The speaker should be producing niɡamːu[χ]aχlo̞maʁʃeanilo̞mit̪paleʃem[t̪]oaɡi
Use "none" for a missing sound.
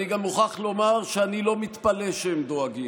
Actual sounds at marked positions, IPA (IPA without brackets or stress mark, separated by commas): χ, d̪